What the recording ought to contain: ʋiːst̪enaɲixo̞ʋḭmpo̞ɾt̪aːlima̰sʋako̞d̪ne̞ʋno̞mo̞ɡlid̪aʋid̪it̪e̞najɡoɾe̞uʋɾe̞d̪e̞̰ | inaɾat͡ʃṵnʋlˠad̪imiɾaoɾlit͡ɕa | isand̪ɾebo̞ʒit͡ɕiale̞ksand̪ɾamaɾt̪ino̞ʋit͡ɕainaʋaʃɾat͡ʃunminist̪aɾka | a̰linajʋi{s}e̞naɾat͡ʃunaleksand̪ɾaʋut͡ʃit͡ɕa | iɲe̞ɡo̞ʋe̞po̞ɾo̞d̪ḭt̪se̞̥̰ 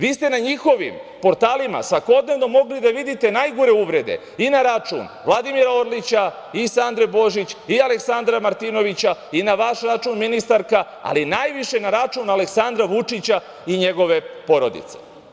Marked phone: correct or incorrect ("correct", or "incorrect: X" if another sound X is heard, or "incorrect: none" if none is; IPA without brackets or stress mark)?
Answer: incorrect: ʃ